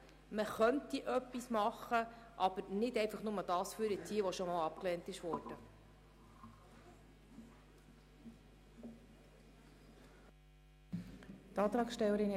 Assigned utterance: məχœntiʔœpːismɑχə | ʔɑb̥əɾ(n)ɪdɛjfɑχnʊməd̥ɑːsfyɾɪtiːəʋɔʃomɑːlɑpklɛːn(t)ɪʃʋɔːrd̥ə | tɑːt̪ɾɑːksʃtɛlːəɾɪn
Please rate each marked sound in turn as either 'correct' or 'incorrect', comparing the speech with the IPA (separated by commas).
correct, correct